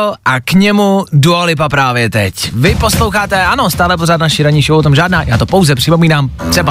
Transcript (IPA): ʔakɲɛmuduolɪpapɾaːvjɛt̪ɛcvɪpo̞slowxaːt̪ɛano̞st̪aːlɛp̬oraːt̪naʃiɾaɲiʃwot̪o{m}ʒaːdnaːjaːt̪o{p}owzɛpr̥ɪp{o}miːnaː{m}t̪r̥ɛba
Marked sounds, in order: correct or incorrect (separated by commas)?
correct, correct, correct, correct